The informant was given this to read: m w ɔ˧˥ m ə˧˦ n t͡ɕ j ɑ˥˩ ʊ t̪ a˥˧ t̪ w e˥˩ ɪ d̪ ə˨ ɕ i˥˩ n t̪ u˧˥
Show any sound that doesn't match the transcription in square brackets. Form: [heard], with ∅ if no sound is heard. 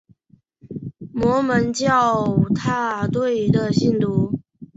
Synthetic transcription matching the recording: m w ɔ˧˥ m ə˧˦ n t͡ɕ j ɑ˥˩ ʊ [t̪ʰ] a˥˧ t̪ w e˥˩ ɪ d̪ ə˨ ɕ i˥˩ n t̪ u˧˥